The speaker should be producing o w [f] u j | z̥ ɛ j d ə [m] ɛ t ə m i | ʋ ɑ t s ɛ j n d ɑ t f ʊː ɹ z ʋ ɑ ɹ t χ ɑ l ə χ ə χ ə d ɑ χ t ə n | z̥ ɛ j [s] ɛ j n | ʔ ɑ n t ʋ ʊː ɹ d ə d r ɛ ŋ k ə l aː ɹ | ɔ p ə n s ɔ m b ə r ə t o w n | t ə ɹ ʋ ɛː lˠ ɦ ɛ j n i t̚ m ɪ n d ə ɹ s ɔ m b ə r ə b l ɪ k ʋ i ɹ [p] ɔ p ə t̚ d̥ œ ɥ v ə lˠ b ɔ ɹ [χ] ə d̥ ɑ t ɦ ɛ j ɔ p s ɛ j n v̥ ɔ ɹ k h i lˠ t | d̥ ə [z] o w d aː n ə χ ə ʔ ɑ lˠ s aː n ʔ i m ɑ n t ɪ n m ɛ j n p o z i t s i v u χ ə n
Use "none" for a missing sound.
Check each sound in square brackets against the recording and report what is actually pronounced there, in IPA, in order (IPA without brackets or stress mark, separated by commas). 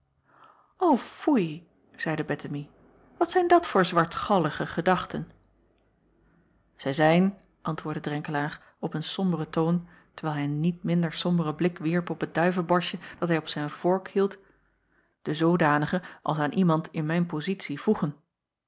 f, b, z, p, ʃ, z